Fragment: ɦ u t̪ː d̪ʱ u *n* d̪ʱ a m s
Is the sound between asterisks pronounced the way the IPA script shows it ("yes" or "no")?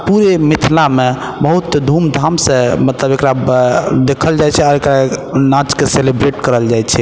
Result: no